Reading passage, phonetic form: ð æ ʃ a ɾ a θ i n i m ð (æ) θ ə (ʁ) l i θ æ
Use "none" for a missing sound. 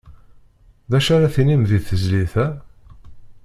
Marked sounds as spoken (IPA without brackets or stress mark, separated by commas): i, z